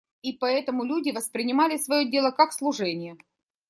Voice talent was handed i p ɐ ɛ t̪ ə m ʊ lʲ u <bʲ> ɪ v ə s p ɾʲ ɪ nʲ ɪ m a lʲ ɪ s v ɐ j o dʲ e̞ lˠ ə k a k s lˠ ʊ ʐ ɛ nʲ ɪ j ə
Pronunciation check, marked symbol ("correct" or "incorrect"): incorrect